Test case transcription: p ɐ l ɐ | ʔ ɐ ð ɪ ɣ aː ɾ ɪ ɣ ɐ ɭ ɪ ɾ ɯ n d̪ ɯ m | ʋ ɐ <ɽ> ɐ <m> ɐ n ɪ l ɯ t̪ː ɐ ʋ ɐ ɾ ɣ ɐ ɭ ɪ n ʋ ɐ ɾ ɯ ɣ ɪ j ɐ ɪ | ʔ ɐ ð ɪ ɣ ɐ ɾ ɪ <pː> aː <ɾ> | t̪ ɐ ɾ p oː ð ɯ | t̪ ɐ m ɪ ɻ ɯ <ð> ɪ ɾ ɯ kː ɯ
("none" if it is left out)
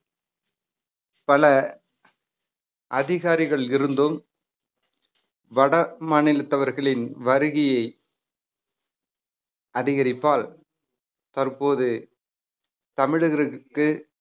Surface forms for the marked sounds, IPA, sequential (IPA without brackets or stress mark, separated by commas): ɽ, m, pː, l, ɣ